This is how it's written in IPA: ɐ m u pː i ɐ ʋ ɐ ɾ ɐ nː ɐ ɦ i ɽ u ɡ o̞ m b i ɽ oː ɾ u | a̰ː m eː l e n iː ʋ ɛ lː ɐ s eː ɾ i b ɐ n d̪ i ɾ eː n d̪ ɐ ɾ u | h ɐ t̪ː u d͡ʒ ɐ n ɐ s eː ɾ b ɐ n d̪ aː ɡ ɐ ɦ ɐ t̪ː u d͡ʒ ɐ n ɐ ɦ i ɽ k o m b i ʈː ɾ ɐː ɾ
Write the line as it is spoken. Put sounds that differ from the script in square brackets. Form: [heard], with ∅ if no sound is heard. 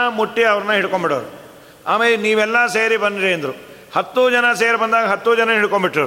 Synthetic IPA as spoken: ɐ m u [ʈː] i ɐ ʋ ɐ ɾ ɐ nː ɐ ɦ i ɽ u [k] o̞ m b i ɽ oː ɾ u | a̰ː m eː l e n iː ʋ ɛ lː ɐ s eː ɾ i b ɐ n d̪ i ɾ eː n d̪ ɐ ɾ u | h ɐ t̪ː u d͡ʒ ɐ n ɐ s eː ɾ b ɐ n d̪ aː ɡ ɐ ɦ ɐ t̪ː u d͡ʒ ɐ n ɐ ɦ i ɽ k o m b i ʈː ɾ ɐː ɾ